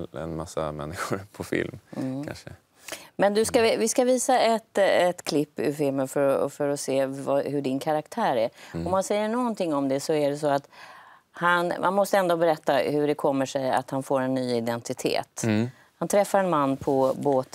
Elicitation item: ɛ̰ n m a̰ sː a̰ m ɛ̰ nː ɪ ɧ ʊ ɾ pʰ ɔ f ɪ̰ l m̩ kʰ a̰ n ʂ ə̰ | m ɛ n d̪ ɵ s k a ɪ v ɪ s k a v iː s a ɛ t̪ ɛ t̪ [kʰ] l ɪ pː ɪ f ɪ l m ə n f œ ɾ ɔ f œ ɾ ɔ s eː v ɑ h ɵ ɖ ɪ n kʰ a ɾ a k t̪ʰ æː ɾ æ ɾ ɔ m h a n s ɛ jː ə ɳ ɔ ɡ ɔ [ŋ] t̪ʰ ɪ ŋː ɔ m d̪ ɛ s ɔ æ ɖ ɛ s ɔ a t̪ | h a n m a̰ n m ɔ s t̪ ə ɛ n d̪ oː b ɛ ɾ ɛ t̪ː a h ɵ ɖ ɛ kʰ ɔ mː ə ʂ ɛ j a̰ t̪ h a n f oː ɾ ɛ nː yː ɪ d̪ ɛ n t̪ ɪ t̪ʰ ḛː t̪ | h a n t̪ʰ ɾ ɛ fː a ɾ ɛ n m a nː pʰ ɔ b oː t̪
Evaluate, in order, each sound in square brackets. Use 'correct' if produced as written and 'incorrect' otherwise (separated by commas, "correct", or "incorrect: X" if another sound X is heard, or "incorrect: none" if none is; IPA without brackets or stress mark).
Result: correct, incorrect: n